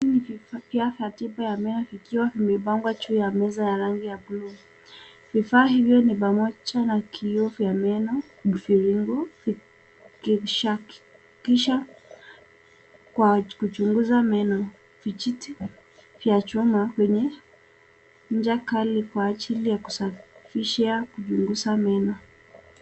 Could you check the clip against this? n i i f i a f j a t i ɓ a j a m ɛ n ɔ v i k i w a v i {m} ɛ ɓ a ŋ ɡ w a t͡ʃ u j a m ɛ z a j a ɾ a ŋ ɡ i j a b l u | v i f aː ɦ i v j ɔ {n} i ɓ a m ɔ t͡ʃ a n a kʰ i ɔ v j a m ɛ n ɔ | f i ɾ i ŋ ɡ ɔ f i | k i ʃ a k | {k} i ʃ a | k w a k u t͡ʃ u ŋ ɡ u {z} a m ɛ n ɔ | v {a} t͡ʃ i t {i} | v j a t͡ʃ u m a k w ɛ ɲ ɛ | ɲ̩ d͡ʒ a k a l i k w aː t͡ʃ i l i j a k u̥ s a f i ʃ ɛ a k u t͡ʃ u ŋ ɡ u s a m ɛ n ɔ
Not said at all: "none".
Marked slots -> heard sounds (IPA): m, n, k, z, i, i

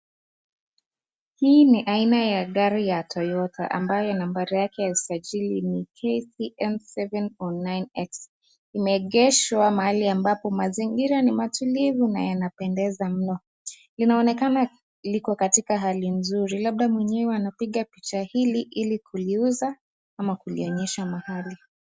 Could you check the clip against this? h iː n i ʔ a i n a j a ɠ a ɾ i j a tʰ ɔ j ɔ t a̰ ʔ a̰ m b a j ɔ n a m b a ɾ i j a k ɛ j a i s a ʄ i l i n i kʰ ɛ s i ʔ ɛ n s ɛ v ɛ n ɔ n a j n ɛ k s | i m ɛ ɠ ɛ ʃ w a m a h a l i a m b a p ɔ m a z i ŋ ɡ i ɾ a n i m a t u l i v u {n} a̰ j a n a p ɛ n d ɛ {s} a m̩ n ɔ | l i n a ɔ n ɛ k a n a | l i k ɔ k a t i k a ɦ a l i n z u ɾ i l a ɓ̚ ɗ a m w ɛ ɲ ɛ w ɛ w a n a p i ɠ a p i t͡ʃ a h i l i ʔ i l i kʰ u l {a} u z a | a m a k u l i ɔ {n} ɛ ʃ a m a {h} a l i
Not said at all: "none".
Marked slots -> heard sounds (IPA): n, z, i, ɲ, h

